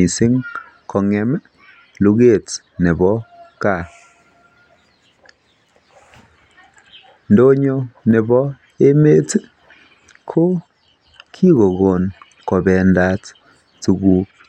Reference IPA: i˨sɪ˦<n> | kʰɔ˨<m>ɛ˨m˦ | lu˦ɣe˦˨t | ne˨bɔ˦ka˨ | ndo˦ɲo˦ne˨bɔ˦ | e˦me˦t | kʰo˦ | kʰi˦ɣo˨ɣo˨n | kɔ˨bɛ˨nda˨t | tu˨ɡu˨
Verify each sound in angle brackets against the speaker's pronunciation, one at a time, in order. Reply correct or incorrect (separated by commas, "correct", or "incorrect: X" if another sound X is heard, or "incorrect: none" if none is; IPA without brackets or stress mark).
incorrect: ŋ, incorrect: ŋ